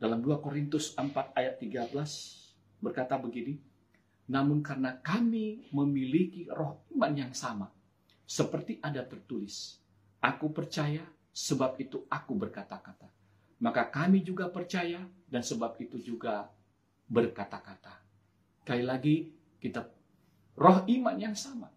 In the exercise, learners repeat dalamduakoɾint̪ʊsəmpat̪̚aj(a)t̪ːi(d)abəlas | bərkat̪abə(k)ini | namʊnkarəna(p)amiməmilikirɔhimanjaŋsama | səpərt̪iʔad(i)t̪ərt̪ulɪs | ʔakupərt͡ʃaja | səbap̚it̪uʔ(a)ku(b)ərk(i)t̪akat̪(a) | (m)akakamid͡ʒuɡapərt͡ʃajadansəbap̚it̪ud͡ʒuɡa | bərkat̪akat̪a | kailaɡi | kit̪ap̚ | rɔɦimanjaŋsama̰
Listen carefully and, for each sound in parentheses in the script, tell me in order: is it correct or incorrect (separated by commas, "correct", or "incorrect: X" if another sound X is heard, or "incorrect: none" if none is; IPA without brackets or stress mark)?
correct, incorrect: ɡ, incorrect: ɡ, incorrect: k, incorrect: a, correct, correct, incorrect: a, correct, correct